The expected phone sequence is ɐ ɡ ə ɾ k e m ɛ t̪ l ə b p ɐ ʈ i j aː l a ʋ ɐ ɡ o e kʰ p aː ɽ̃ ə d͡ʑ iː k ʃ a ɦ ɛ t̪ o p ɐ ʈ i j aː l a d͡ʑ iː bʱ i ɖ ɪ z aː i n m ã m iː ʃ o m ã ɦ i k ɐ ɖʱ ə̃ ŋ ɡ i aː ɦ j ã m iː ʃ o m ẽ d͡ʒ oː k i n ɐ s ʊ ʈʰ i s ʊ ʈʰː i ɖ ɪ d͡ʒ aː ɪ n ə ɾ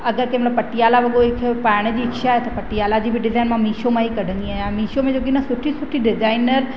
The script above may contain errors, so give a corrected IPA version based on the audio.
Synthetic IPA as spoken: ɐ ɡ ə ɾ k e m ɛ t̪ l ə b p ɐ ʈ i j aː l a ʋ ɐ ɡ o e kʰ p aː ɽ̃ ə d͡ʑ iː k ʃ a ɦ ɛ t̪ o p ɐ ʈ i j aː l a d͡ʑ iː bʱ i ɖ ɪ z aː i n m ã m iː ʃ o m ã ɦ i k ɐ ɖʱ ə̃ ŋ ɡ i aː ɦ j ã m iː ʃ o m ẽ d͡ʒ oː k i n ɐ s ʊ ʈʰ i s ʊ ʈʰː i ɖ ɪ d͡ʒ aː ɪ n ə ɾ